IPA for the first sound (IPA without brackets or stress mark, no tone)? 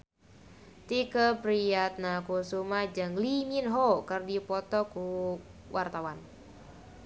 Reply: t̪